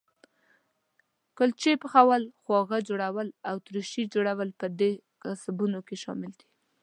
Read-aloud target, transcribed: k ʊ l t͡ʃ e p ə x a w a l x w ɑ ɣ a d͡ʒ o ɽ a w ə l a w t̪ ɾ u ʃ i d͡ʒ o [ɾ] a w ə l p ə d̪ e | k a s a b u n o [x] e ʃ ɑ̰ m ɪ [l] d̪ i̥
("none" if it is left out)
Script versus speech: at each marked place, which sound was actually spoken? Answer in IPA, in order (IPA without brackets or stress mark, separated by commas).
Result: ɽ, k, l